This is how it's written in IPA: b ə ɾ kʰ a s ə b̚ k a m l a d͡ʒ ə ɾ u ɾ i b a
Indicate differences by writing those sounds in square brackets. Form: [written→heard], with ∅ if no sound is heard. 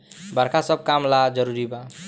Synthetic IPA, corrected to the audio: b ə ɾ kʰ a s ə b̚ k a m l a d͡ʒ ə ɾ u ɾ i b a